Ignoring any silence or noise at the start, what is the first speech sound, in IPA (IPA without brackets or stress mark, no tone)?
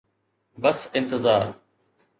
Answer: b